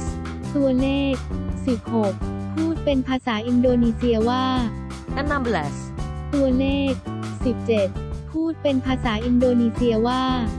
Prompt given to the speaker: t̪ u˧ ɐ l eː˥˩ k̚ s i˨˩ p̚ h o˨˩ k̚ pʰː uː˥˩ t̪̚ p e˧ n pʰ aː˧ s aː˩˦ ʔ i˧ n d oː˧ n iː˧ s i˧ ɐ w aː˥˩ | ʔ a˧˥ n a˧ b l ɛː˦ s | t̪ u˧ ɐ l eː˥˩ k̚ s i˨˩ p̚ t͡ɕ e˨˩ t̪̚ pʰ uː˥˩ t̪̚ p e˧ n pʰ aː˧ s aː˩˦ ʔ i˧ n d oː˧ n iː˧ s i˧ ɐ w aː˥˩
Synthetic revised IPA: t̪ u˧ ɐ l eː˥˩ k̚ s i˨˩ p̚ h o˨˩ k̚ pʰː uː˥˩ t̪̚ p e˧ n pʰ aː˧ s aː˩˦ ʔ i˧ n d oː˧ n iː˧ s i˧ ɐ w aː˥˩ | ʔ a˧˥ n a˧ b l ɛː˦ s | t̪ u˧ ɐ l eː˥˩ k̚ s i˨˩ p̚ t͡ɕ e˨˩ t̪̚ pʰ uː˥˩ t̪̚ p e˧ n pʰ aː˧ s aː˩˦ ʔ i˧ n d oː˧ n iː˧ s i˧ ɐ w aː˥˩